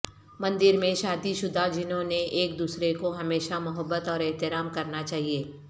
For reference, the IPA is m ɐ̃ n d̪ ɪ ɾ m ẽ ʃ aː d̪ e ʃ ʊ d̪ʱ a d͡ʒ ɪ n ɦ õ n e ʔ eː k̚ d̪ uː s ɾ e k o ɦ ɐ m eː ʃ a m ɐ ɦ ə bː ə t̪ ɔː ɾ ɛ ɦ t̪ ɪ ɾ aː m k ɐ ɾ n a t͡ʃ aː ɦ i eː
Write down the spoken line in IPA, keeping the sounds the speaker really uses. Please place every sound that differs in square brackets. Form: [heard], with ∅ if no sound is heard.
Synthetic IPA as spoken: m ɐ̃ n d̪ ɪ ɾ m ẽ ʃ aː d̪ [i] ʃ ʊ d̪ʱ a d͡ʒ ɪ n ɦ õ n e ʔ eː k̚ d̪ uː s ɾ e k o ɦ ɐ m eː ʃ a m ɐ ɦ ə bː ə t̪ ɔː ɾ ɛ ɦ t̪ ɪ ɾ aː m k ɐ ɾ n a t͡ʃ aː ɦ i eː

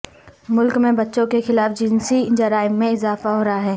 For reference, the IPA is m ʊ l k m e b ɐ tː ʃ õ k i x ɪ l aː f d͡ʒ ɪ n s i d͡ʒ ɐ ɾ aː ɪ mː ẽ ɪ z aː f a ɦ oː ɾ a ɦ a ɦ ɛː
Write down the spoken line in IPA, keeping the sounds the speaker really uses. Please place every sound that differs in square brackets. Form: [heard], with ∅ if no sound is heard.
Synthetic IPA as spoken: m ʊ l k m [ẽ] b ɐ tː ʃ õ k [e] x ɪ l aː f d͡ʒ ɪ n s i d͡ʒ ɐ ɾ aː ɪ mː ẽ ɪ z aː f a ɦ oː ɾ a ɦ a ɦ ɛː

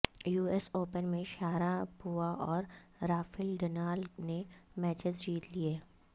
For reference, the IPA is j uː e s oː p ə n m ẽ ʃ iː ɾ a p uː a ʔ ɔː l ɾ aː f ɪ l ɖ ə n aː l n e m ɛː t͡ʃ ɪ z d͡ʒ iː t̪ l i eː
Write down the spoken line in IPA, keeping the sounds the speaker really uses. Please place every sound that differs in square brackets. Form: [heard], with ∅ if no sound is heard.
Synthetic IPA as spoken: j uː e s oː p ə n m ẽ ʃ [aː] ɾ a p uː a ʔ ɔː [ɾ] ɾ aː f ɪ l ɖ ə n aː l n e m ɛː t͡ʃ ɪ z d͡ʒ iː t̪ l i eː

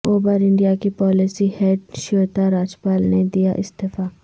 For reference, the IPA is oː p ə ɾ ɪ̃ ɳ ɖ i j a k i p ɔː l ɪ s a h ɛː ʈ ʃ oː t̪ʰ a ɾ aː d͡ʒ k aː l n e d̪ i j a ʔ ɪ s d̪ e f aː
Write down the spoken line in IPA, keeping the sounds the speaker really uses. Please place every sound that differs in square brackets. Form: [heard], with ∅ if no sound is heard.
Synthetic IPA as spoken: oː [b] ə ɾ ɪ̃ ɳ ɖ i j a k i p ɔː l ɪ s [i] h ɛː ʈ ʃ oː [t̪] a ɾ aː d͡ʒ [p] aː l n e d̪ i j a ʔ ɪ s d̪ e f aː

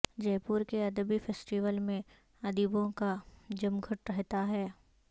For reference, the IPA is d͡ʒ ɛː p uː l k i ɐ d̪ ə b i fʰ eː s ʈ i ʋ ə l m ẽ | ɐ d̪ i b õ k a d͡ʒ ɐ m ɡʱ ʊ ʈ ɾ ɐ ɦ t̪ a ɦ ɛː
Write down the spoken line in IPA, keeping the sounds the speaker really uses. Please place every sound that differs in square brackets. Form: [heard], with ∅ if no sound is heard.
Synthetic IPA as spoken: d͡ʒ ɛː p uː [ɾ] k [e] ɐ d̪ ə b i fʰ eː s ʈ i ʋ ə l m ẽ | ɐ d̪ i b õ k a d͡ʒ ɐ m ɡʱ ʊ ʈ ɾ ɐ ɦ t̪ a ɦ ɛː

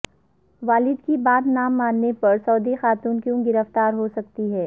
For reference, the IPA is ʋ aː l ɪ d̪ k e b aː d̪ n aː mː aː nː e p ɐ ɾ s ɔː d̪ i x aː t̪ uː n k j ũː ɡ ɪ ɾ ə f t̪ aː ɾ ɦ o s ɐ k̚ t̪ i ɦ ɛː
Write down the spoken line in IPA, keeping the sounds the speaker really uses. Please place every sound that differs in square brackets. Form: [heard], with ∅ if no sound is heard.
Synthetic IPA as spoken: ʋ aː l ɪ d̪ k [i] b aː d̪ n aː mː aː nː e p ɐ ɾ s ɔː d̪ i x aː t̪ uː n k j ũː ɡ ɪ ɾ ə f t̪ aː ɾ ɦ o s ɐ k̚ t̪ i ɦ ɛː

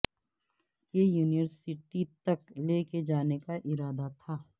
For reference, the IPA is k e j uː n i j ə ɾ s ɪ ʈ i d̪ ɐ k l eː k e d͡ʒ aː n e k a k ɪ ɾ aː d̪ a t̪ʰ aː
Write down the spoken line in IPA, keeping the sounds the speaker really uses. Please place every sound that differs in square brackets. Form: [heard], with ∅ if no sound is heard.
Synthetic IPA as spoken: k e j uː n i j ə ɾ s ɪ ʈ i [t̪] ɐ k l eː k e d͡ʒ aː n e k a [ʔ] ɪ ɾ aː d̪ a t̪ʰ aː

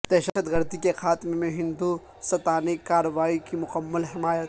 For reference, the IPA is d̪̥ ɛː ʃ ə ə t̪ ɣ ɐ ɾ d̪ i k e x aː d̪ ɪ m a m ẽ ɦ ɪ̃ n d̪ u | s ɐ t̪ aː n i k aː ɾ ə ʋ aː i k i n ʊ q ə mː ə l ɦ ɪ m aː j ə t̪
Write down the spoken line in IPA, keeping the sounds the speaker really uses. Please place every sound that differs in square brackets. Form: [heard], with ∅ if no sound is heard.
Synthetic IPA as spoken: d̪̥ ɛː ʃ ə ə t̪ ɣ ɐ ɾ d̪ i k e x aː [t̪] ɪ m [e] m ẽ ɦ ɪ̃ n d̪ u | s ɐ t̪ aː n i k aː ɾ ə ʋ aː i k i [m] ʊ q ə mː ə l ɦ ɪ m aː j ə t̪

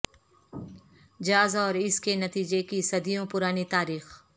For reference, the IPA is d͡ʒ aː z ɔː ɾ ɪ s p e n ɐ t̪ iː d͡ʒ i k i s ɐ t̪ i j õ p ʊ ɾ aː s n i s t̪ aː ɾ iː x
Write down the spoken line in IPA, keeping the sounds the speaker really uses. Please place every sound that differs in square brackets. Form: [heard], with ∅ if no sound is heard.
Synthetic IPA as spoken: d͡ʒ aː z ɔː ɾ ɪ s [k] e n ɐ t̪ iː d͡ʒ [e] k i s ɐ [d̪] i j õ p ʊ ɾ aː [∅] n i [∅] t̪ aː ɾ iː x

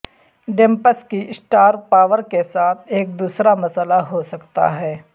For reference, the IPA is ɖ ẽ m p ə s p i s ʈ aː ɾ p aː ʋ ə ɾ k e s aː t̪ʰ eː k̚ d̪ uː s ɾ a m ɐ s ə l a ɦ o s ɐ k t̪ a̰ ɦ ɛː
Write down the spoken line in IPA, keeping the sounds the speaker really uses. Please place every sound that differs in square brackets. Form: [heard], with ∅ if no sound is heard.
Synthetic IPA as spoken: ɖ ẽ m p ə s [k] i s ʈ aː ɾ p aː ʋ ə ɾ k e s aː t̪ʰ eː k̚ d̪ uː s ɾ a m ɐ s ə l a ɦ o s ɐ k t̪ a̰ ɦ ɛː

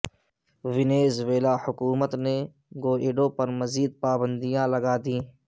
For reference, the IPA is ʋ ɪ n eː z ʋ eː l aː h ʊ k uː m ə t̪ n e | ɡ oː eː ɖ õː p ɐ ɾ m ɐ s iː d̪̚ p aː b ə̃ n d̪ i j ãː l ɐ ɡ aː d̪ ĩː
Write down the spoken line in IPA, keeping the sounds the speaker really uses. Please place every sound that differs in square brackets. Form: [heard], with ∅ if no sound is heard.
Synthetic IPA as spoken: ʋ ɪ n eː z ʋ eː l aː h ʊ k uː m ə t̪ n e | ɡ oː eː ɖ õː p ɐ ɾ m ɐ [z] iː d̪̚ p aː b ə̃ n d̪ i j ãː l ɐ ɡ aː d̪ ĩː

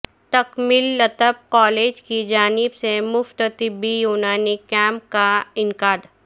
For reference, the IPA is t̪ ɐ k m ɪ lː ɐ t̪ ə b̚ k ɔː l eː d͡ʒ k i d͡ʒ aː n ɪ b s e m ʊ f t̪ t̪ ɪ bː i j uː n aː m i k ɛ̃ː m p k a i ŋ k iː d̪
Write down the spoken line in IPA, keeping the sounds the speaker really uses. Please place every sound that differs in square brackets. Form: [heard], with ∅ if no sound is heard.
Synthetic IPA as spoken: t̪ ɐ k m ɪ lː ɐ t̪ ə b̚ k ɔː l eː d͡ʒ k i d͡ʒ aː n ɪ b s e m ʊ f t̪ t̪ ɪ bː i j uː n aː [n] i k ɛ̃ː m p k a [ɪ] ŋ k [aː] d̪

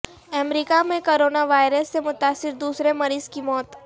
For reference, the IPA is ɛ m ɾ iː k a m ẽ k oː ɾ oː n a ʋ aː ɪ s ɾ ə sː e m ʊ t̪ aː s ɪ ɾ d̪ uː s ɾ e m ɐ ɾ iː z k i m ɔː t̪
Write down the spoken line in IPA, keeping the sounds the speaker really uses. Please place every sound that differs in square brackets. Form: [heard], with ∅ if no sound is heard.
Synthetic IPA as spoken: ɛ m ɾ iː k a m ẽ k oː ɾ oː n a ʋ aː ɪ [∅] ɾ ə sː e m ʊ t̪ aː s ɪ ɾ d̪ uː s ɾ e m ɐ ɾ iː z k i m ɔː t̪

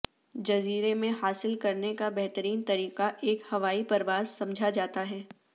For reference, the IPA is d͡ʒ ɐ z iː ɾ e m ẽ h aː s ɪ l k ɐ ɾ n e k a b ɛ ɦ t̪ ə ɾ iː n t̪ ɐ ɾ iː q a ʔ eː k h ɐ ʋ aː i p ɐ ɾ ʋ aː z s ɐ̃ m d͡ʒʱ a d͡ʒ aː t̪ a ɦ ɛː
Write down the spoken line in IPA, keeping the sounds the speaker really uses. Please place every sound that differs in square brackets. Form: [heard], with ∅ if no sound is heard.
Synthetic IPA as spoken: d͡ʒ ɐ z iː ɾ e m ẽ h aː s ɪ l k ɐ ɾ n e k a b ɛ ɦ t̪ ə ɾ iː n t̪ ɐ ɾ iː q a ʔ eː k h ɐ ʋ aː i p ɐ ɾ ʋ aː z s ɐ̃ m d͡ʒʱ a d͡ʒ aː t̪ a ɦ ɛː

